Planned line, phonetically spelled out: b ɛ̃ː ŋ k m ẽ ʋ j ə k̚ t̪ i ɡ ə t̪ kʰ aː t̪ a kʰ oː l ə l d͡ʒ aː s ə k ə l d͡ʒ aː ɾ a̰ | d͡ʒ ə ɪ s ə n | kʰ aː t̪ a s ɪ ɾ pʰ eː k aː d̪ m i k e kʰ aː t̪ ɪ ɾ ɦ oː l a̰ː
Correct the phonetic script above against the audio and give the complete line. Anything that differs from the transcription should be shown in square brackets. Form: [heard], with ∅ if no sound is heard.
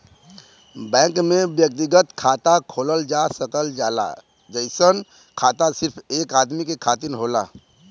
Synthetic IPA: b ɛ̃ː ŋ k m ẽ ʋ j ə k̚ t̪ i ɡ ə t̪ kʰ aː t̪ a kʰ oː l ə l d͡ʒ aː s ə k ə l d͡ʒ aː [l] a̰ | d͡ʒ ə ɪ s ə n | kʰ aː t̪ a s ɪ ɾ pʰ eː k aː d̪ m i k e kʰ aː t̪ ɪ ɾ ɦ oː l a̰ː